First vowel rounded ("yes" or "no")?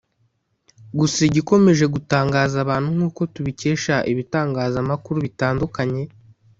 yes